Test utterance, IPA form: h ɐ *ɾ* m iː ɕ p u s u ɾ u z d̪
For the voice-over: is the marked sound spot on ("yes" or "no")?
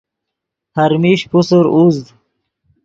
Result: yes